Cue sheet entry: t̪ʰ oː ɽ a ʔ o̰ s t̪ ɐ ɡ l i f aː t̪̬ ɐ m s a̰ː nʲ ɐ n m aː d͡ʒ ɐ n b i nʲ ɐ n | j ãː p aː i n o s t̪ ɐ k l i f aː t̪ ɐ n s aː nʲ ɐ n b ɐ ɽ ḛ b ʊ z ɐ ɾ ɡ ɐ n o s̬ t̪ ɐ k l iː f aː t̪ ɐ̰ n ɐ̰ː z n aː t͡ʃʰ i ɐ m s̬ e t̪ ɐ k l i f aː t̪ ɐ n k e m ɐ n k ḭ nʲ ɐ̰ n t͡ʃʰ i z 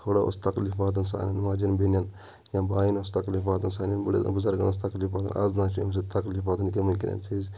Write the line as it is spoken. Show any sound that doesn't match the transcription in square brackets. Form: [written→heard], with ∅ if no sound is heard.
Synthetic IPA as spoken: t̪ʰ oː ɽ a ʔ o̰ s t̪ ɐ [ɡ→k] l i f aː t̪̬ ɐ [m→n] s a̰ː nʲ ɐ n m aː d͡ʒ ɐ n b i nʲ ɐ n | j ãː [p→b] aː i n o s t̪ ɐ k l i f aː t̪ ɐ n s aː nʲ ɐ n b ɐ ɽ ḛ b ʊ z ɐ ɾ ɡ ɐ n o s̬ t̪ ɐ k l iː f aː t̪ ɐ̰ n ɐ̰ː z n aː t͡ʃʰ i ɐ m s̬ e t̪ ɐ k l i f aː t̪ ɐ n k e m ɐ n k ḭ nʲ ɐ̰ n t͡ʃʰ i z